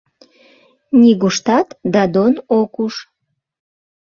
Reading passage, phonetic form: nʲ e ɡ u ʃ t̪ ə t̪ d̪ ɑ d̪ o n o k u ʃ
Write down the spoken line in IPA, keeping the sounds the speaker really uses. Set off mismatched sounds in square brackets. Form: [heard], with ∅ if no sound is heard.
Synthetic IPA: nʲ [i] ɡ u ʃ t̪ [ɑ] t̪ d̪ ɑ d̪ o n o k u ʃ